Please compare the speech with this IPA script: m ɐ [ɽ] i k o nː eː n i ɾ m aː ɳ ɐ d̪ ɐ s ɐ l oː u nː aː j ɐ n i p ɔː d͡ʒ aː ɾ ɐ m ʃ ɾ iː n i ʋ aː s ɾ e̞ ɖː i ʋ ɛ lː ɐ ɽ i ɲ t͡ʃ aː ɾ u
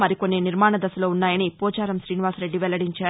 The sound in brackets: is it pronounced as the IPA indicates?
no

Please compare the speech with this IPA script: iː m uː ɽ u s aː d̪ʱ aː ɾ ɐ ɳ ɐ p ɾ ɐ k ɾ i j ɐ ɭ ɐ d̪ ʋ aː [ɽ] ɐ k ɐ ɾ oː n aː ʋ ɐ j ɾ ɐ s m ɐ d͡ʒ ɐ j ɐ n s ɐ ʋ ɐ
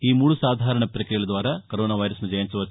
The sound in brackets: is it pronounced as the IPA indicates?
no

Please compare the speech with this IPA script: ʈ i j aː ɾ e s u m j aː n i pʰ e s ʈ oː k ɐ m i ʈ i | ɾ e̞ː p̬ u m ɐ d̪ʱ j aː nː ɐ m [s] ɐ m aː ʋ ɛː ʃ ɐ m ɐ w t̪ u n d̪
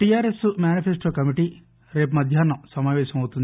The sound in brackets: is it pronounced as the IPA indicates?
yes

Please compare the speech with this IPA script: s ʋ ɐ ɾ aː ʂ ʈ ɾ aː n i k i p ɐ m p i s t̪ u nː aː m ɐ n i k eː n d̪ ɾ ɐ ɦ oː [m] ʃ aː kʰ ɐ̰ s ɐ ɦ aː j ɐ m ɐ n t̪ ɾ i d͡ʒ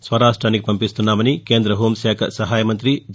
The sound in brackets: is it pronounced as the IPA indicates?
yes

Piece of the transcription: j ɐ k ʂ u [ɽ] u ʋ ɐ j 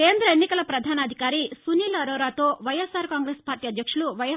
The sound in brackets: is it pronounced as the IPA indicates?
no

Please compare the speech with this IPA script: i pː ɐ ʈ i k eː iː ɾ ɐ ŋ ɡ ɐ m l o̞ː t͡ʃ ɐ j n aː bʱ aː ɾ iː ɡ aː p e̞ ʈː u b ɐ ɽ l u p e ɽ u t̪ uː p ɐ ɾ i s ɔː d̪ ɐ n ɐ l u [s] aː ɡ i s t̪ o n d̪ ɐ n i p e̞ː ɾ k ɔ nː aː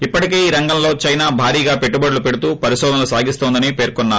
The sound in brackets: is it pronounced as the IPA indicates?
yes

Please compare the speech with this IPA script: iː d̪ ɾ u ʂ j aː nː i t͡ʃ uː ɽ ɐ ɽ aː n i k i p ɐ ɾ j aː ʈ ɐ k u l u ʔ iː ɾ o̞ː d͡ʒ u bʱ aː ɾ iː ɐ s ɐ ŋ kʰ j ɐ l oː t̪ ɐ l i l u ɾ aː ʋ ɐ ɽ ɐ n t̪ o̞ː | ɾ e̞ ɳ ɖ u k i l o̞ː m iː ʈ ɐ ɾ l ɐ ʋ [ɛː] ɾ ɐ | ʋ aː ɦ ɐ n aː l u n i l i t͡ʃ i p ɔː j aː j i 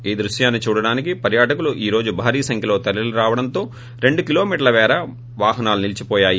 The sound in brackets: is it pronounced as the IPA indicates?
yes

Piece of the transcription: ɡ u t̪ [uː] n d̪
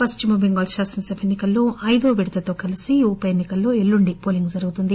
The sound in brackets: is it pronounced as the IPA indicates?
no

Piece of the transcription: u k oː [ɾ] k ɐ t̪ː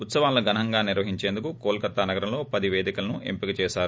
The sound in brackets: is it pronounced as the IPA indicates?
no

